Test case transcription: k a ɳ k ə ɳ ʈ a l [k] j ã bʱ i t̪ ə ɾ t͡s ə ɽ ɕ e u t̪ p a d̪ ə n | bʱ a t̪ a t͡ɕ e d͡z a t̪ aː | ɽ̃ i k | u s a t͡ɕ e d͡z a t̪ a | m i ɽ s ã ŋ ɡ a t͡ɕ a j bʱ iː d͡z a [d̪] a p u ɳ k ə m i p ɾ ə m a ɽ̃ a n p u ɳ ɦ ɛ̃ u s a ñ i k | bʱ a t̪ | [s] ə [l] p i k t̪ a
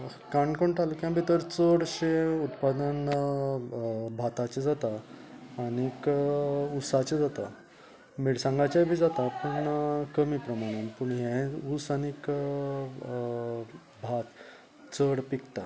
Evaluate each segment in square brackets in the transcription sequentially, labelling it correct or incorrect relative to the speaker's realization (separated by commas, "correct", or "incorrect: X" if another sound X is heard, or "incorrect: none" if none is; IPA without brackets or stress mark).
correct, incorrect: t̪, incorrect: t͡s, incorrect: ɽ